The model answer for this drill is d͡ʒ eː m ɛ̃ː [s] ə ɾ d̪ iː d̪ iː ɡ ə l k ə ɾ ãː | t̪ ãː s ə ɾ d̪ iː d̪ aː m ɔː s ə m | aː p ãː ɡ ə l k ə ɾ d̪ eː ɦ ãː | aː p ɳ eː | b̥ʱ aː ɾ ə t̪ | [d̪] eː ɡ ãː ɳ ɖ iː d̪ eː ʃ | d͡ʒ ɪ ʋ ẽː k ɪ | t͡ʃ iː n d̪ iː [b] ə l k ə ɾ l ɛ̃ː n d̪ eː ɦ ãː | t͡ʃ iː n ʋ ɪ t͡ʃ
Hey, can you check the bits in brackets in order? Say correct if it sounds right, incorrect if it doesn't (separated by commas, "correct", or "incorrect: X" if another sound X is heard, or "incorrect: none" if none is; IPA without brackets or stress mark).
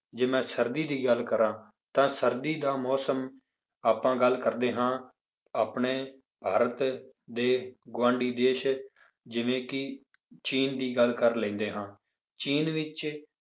correct, correct, incorrect: ɡ